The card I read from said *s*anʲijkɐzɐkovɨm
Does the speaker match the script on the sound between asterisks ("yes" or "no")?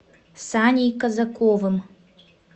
yes